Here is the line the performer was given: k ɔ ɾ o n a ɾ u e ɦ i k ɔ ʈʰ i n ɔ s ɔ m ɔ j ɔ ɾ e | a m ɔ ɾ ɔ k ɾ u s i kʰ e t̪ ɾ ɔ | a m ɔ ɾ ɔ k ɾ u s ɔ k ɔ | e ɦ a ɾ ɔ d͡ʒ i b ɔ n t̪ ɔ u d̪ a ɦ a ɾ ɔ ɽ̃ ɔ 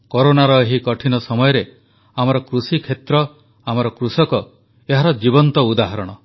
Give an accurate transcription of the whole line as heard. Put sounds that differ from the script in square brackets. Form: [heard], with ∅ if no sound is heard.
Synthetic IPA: k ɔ ɾ o n a ɾ [ɔ] e ɦ i k ɔ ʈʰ i n ɔ s ɔ m ɔ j ɔ ɾ e | a m ɔ ɾ ɔ k ɾ u s i kʰ e t̪ ɾ ɔ | a m ɔ ɾ ɔ k ɾ u s ɔ k ɔ | e ɦ a ɾ ɔ d͡ʒ i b ɔ n t̪ ɔ u d̪ a ɦ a ɾ ɔ ɽ̃ ɔ